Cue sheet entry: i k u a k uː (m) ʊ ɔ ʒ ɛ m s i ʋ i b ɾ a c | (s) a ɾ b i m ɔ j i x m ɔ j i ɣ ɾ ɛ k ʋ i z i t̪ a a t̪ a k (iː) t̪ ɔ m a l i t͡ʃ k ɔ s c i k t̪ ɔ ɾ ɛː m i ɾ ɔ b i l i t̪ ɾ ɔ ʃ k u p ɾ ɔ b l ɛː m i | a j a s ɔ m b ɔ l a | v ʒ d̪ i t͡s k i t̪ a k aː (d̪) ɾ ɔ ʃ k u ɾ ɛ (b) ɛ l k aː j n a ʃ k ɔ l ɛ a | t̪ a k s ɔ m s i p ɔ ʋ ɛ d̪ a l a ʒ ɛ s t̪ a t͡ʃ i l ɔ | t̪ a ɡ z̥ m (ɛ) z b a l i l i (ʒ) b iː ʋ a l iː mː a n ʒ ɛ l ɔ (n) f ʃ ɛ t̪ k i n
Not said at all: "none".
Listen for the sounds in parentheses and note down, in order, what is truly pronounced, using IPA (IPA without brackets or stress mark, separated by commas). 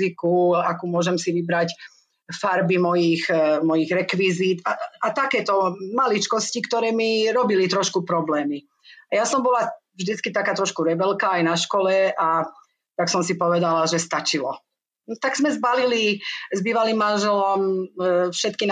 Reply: m, f, ɛː, t̪, b, ɛ, z, m